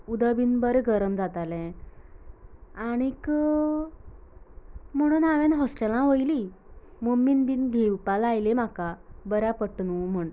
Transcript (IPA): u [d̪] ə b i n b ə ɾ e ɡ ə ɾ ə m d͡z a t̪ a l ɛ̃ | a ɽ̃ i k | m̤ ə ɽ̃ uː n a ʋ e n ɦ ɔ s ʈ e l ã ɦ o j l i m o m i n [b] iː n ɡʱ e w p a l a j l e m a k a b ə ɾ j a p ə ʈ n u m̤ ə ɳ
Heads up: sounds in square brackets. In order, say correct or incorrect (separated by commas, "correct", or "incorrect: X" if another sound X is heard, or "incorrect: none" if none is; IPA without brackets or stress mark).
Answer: correct, correct